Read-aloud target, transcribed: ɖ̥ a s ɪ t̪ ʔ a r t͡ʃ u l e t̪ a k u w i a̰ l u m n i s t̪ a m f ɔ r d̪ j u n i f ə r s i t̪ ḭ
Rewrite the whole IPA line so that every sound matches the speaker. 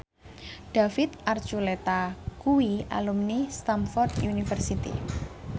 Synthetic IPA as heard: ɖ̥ a f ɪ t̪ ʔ a r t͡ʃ u l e t̪ a k u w i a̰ l u m n i s t̪ a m f ɔ r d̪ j u n i f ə r s i t̪ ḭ